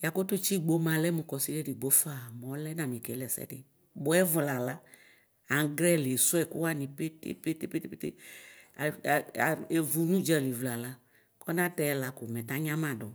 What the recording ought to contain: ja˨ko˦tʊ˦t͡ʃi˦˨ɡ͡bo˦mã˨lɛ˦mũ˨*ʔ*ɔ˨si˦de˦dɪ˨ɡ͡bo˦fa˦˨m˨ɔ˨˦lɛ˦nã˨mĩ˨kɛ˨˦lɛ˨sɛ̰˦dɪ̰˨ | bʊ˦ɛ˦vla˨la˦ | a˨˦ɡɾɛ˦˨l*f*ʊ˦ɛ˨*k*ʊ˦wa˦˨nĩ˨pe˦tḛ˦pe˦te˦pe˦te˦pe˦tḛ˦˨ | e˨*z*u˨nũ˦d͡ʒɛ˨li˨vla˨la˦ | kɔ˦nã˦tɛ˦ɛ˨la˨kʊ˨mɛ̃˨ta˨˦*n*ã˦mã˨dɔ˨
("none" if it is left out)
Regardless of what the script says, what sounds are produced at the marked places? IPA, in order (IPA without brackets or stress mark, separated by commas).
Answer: k, s, k, v, ɲ